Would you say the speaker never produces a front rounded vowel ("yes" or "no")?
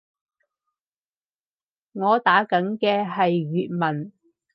no